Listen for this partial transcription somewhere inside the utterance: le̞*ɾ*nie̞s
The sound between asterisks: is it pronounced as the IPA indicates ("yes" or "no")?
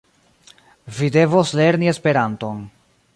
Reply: yes